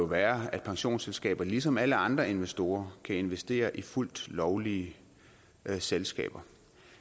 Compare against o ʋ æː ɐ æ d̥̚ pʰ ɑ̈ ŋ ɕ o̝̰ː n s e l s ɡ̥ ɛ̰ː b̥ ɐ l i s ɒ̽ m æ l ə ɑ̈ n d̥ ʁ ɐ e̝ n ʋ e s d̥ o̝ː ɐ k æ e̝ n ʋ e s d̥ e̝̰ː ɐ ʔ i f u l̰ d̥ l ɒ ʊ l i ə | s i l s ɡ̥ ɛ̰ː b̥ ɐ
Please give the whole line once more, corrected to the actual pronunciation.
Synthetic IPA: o ʋ æː ɐ æ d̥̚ pʰ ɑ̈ ŋ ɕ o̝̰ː n s e l s ɡ̥ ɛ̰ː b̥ ɐ l i s ɒ̽ m æ l ə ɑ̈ n d̥ ʁ ɐ e̝ n ʋ e s d̥ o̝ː ɐ kʰ æ e̝ n ʋ e s d̥ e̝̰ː ɐ ʔ i f u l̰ d̥ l ɒ ʊ l i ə | s e l s ɡ̥ ɛ̰ː b̥ ɐ

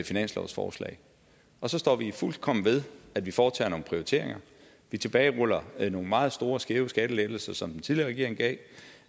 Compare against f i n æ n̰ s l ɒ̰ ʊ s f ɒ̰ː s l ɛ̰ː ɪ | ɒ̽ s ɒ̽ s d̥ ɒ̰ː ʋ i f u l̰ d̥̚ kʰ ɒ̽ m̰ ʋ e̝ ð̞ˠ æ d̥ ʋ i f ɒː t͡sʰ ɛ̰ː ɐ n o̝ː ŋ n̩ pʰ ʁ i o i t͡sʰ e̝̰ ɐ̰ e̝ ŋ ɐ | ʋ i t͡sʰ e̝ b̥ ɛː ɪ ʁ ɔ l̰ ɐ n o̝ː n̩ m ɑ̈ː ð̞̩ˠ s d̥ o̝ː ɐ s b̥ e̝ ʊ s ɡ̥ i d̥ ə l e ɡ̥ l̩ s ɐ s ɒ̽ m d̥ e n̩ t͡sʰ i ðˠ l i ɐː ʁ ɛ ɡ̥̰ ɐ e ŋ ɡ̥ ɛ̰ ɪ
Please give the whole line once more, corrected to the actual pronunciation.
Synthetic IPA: f i n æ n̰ s l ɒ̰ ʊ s f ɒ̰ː s l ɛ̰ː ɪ | ɒ̽ s ɒ̽ s d̥ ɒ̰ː ʋ i f u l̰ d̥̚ kʰ ɒ̽ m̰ ʋ e̝ ð̞ˠ æ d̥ ʋ i f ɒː t͡sʰ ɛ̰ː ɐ n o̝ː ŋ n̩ pʰ ʁ i o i t͡sʰ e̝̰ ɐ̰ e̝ ŋ ɐ | ʋ i t͡sʰ e̝ b̥ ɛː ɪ ʁ ɔ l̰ ɐ n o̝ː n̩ m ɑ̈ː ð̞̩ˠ s d̥ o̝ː ɐ s ɡ̥ e̝ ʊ s ɡ̥ æ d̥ ə l e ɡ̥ l̩ s ɐ s ɒ̽ m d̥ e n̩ t͡sʰ i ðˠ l i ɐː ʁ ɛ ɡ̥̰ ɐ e ŋ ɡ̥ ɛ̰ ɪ

